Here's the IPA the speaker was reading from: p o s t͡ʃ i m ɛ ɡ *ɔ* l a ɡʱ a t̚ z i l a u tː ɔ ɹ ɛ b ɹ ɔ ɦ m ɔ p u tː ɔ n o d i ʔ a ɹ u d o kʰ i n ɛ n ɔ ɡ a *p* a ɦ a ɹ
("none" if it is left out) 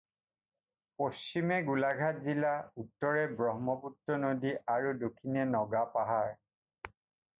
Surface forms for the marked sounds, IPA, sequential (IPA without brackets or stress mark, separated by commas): u, p